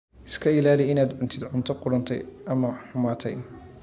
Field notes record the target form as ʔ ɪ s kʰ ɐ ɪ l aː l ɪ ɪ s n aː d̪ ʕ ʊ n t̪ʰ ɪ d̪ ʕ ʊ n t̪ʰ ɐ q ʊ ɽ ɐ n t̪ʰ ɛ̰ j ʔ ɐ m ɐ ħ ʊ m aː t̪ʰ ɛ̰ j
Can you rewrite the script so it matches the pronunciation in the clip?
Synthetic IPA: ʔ ɪ s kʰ ɐ ɪ l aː l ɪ ɪ n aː d̪ ʕ ʊ n t̪ʰ ɪ d̪ ʕ ʊ n t̪ʰ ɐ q ʊ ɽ ɐ n t̪ʰ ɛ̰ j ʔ ɐ m ɐ ħ ʊ m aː t̪ʰ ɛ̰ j